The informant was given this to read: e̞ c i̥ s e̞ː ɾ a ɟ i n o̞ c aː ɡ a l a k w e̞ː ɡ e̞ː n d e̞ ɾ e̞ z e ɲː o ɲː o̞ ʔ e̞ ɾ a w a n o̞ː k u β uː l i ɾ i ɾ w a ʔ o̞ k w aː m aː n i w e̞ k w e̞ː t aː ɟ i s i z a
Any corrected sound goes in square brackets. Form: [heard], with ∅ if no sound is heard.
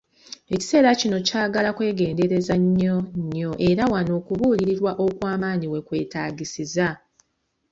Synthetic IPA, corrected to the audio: e̞ c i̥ s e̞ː ɾ a [c] i n o̞ c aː ɡ a l a k w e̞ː ɡ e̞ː n d e̞ ɾ e̞ z [a] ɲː o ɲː o̞ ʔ e̞ ɾ a w a n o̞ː k u β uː l i ɾ i ɾ w a ʔ o̞ k w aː m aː n i w e̞ k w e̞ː t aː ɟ i s i z a